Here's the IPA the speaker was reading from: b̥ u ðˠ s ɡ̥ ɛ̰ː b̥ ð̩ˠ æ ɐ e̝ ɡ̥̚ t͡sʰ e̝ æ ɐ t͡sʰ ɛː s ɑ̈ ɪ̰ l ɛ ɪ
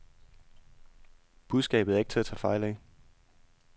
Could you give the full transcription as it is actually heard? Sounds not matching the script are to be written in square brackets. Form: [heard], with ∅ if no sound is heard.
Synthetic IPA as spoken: b̥ u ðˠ s ɡ̥ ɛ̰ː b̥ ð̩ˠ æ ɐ e̝ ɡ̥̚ t͡sʰ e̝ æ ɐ t͡sʰ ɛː [f] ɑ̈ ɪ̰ l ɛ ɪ